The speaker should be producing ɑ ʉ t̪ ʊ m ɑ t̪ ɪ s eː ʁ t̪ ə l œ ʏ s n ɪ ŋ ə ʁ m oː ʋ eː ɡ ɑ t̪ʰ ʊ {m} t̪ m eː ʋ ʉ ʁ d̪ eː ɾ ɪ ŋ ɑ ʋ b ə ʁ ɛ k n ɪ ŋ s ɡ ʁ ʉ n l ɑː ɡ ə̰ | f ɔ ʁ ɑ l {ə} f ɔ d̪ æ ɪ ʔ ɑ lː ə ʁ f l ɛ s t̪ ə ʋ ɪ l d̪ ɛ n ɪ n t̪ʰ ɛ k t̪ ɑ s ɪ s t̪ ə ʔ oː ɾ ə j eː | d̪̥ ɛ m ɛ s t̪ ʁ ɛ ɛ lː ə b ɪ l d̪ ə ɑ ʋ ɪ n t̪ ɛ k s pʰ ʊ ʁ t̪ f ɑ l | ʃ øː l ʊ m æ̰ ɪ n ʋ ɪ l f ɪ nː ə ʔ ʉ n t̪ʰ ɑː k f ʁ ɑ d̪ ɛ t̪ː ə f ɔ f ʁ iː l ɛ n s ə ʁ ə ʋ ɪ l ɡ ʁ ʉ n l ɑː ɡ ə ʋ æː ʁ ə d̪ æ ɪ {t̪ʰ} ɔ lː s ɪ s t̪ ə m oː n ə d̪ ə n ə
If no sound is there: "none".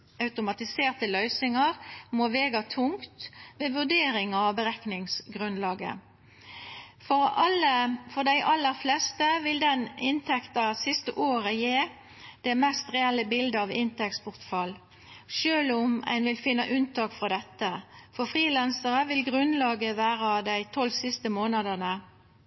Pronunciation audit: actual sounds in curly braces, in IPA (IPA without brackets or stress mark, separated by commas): ŋ, ə, t̪ʰ